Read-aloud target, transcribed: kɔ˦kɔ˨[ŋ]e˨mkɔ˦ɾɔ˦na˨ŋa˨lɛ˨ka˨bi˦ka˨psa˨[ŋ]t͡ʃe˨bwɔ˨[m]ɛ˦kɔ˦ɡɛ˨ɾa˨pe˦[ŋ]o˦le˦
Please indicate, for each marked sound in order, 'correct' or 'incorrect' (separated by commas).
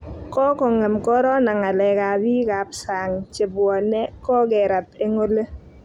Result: correct, correct, incorrect, correct